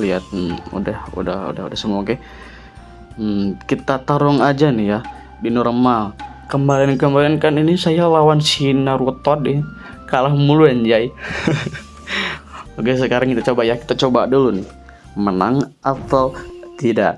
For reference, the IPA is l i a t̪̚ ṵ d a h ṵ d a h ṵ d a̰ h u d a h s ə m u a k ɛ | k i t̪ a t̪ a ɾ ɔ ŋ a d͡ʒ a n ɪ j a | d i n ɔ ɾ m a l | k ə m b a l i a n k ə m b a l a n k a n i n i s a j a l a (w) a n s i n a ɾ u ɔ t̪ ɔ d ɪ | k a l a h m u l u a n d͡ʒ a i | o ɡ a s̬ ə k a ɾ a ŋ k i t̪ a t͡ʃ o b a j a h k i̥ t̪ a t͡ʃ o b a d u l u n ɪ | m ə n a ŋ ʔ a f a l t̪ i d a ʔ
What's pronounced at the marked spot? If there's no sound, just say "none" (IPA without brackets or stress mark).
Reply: w